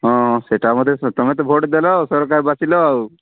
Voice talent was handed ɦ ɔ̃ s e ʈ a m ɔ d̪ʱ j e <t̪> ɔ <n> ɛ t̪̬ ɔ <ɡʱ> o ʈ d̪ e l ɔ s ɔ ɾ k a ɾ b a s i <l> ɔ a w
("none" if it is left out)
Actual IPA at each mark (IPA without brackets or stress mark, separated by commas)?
t̪, m, bʱ, l